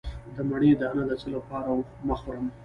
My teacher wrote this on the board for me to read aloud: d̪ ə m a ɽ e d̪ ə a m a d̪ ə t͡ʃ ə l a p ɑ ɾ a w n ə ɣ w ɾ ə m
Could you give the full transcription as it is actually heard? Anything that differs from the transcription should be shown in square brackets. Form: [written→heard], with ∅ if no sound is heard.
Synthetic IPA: d̪ ə m a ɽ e d̪ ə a [m→n] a d̪ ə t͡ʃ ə l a p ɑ ɾ a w [n→m] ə [ɣ→x] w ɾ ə m